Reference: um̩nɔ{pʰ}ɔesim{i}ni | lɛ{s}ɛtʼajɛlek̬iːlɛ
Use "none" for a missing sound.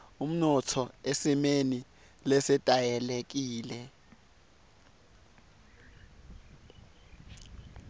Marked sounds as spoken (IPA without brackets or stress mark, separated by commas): tʰ, e, s